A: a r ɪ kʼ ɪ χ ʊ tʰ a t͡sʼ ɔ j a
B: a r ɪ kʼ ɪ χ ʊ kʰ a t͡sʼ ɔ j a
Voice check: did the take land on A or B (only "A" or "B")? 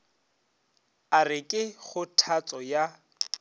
A